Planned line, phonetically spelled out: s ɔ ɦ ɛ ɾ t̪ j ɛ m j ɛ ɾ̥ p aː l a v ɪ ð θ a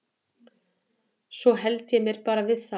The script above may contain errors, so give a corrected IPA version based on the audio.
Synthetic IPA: s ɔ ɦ ɛ l t̪ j ɛ m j ɛ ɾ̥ p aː ɾ a v ɪ ð θ a

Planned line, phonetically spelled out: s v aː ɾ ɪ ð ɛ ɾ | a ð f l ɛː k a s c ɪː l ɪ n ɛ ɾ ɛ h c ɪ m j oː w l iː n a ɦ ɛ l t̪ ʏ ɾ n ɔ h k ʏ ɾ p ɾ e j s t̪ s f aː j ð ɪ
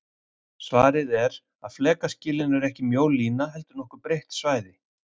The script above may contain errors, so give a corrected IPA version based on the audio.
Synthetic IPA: s v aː ɾ ɪ ð ɛ ɾ | a ð f l ɛː k a s c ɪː l ɪ n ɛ ɾ ɛ h c ɪ m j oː w l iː n a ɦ ɛ l t̪ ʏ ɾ n ɔ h k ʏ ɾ p ɾ e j h t̪ s v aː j ð ɪ

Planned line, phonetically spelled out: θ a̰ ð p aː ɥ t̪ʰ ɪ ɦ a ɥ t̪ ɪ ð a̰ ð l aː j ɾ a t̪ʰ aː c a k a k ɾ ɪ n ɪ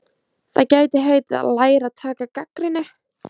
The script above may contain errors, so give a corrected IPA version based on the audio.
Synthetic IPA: θ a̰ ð c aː ɥ t̪ ɪ ɦ e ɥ t̪ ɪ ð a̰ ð l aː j ɾ a t̪ʰ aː k a k a k ɾ ɪ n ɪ

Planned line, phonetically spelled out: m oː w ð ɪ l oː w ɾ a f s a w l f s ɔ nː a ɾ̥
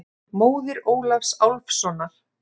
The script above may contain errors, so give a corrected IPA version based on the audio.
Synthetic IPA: m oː w ð ɪ ɾ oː w l a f s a w l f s ɔ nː a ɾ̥

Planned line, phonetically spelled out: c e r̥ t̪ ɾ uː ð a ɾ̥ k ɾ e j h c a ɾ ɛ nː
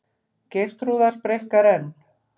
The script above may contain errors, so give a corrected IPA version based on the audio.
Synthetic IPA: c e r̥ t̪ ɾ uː ð a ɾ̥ p ɾ e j h k a ɾ ɛ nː

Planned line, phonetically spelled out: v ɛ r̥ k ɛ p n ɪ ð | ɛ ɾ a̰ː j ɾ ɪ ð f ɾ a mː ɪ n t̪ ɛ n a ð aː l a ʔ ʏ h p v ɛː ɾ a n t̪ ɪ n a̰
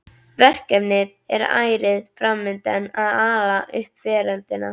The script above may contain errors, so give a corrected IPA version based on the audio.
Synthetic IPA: v ɛ r̥ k ɛ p n ɪ ð | ɛ ɾ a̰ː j ɾ ɪ ð f ɾ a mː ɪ n t̪ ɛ n a ð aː l a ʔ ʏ h p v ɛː ɾ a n t̪ ɪ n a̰

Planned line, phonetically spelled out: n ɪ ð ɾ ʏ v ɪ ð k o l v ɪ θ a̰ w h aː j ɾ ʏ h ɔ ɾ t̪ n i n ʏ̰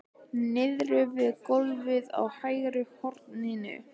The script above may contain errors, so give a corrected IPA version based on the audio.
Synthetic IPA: n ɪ ð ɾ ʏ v ɪ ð k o l v ɪ ð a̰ w h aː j ɾ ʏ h ɔ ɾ t̪ n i n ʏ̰

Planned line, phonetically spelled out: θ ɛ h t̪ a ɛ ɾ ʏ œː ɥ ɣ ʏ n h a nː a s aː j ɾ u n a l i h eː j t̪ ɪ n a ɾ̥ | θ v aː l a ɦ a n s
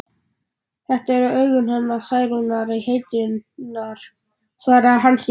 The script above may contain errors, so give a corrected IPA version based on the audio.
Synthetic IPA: θ ɛ h t̪ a ɛ ɾ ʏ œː ɥ ɣ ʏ n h a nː a s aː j ɾ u n a ɾ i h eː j t̪ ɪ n a ɾ̥ | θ v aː ɾ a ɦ a n s

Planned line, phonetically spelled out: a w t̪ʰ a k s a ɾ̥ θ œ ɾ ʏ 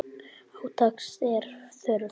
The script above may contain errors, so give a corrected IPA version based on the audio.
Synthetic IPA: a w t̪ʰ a k s ɛ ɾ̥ θ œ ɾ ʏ

